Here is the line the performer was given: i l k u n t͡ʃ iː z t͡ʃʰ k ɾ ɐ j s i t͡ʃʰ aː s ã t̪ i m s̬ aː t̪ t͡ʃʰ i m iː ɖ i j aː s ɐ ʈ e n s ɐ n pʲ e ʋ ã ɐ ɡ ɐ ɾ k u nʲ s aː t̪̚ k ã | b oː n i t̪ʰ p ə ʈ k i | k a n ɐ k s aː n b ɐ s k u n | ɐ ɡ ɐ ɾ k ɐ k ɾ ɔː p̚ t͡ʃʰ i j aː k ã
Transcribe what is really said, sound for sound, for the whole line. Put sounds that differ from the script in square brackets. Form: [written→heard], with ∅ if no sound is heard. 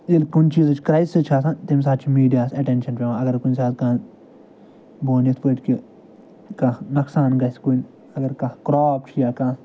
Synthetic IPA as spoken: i l k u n t͡ʃ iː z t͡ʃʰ k ɾ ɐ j s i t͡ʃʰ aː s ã t̪ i m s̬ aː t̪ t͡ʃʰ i m iː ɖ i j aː s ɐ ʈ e n [s→ʃ] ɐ n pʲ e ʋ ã ɐ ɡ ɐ ɾ k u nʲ s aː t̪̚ k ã | b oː n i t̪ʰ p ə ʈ k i | k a n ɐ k s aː n [b→ɡ] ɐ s k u n | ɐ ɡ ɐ ɾ k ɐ k ɾ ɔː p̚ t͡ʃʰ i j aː k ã